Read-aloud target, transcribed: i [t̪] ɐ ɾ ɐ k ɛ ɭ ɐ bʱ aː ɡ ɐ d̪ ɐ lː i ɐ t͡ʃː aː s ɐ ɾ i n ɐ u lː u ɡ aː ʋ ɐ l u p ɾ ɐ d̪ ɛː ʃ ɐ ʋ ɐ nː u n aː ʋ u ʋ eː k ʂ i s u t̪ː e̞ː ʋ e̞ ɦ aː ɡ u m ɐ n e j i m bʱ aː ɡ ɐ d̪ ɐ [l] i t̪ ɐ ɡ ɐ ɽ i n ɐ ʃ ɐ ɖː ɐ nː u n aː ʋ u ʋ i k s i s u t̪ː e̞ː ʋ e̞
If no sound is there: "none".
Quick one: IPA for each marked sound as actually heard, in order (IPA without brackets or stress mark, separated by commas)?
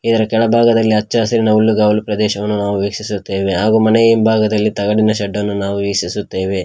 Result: d̪, lː